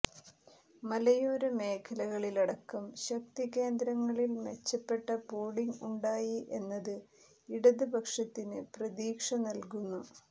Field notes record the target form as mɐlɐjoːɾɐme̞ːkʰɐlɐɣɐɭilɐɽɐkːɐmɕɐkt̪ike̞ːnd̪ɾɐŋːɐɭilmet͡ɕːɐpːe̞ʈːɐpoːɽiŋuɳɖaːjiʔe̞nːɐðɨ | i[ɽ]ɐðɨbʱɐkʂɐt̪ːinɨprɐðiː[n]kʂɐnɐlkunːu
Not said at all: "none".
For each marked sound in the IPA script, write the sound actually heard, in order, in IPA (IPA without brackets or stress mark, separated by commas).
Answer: ɽ, none